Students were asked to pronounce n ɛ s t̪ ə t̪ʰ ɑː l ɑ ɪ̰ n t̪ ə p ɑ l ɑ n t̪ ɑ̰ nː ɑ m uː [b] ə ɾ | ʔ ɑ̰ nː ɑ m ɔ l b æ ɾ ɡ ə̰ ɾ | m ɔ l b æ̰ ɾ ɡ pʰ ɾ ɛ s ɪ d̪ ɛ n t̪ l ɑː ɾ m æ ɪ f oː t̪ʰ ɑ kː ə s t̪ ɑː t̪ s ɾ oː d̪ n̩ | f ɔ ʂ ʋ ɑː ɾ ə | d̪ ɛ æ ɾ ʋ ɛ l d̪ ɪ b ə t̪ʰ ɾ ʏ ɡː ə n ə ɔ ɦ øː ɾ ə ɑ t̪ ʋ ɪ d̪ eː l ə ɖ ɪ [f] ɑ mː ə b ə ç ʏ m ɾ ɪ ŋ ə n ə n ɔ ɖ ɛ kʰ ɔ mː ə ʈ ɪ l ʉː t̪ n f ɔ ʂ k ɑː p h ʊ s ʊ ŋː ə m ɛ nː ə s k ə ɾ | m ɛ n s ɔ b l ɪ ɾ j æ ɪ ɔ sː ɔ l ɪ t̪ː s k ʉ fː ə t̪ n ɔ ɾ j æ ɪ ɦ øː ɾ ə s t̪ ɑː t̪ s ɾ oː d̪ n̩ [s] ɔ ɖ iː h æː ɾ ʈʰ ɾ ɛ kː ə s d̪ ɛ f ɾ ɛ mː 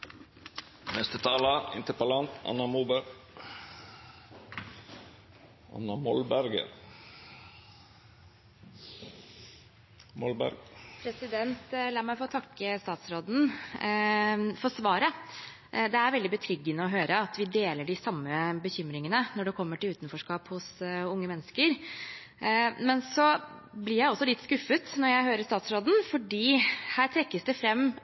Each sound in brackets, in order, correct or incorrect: correct, incorrect: s, incorrect: f

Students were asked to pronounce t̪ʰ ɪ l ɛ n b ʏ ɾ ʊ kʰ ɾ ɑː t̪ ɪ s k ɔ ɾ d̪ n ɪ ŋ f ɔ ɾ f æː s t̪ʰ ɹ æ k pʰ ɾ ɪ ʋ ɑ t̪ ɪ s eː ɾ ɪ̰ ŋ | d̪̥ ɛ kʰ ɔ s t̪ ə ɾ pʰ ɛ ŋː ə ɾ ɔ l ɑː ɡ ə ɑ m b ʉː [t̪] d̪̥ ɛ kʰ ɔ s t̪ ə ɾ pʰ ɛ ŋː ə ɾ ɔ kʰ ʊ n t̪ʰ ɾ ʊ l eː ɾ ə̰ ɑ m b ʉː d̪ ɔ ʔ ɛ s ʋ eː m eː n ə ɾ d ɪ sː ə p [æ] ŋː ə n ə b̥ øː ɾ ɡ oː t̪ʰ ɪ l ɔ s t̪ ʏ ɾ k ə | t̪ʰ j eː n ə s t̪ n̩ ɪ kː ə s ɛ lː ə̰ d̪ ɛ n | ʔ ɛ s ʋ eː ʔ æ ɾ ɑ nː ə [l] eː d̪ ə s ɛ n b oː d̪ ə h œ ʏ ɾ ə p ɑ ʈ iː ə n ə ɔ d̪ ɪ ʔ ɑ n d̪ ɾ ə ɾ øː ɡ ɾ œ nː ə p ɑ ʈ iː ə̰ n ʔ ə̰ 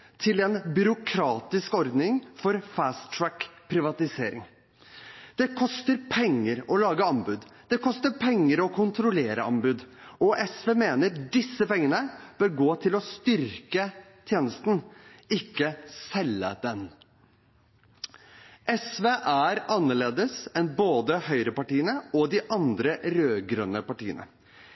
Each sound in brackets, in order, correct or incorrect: incorrect: d̪, incorrect: ɛ, incorrect: ɭ

